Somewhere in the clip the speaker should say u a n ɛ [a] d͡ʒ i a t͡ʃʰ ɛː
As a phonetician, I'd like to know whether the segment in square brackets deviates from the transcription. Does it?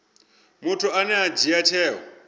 no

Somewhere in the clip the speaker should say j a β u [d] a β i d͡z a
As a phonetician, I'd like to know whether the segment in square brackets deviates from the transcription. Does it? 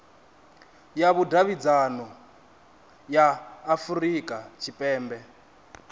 no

